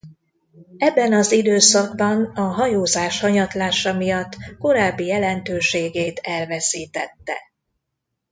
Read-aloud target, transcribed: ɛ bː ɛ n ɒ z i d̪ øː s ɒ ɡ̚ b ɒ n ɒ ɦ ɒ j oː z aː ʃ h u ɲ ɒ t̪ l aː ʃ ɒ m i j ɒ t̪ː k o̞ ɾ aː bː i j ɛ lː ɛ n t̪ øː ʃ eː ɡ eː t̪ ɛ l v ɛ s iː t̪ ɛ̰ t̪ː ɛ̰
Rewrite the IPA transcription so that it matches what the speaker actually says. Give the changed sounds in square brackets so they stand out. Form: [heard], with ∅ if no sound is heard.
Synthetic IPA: ɛ bː ɛ n ɒ z i d̪ øː s ɒ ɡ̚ b ɒ n ɒ ɦ ɒ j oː z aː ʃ h [ɒ] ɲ ɒ t̪ l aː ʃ ɒ m i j ɒ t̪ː k o̞ ɾ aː bː i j ɛ [l] ɛ n t̪ øː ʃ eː ɡ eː t̪ ɛ l v ɛ s iː t̪ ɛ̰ t̪ː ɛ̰